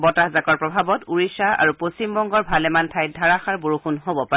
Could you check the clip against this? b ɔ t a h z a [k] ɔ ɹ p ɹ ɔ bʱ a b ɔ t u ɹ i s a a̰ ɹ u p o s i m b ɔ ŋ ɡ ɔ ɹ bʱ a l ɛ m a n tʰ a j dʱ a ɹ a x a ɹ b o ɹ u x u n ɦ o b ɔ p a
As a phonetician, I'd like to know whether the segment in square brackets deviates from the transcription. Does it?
no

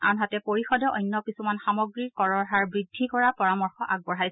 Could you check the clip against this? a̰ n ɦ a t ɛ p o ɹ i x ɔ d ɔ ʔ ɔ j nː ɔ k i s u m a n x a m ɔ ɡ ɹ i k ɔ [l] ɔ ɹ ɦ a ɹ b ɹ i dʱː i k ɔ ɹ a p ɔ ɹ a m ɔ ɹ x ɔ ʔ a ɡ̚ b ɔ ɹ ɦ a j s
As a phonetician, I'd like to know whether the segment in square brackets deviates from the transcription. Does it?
yes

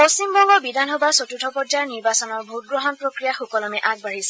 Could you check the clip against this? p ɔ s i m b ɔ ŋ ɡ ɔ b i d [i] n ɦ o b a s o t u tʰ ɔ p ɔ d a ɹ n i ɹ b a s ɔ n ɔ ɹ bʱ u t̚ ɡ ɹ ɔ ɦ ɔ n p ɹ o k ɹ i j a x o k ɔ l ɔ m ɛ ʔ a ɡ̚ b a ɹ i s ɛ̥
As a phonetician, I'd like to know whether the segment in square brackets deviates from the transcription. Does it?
yes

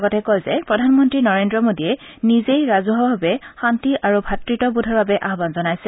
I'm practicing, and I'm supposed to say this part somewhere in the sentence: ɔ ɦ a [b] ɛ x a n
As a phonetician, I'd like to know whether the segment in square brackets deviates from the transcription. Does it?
no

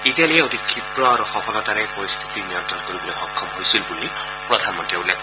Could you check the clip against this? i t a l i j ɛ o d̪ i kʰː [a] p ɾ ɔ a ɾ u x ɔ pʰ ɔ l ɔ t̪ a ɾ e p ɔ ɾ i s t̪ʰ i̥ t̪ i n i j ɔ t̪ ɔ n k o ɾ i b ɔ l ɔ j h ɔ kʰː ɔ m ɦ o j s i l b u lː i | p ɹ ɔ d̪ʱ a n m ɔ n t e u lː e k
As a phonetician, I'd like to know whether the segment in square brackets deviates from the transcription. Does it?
yes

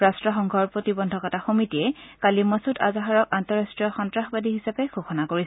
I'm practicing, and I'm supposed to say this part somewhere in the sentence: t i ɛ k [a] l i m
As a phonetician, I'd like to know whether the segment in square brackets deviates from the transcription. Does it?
no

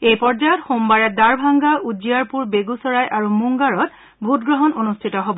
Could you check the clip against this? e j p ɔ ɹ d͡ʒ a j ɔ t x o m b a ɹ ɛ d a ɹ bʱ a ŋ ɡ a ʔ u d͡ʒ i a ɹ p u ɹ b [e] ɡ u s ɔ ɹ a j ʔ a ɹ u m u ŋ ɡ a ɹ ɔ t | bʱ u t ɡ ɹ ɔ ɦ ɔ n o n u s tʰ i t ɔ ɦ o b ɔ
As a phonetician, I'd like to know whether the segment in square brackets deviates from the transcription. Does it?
no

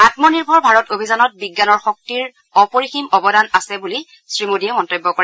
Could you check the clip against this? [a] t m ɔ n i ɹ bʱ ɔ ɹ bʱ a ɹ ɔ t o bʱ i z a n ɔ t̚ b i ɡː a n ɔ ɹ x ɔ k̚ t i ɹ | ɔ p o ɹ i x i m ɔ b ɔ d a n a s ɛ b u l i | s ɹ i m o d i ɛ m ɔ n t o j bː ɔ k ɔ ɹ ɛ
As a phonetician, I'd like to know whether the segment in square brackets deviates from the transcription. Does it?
no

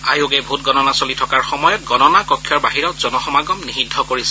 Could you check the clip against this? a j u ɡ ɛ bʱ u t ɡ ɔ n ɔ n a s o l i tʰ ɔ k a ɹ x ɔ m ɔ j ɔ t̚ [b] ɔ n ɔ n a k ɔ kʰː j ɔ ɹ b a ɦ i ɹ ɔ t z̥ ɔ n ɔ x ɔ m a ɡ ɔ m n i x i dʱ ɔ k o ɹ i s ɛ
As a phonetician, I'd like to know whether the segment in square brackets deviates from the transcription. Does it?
yes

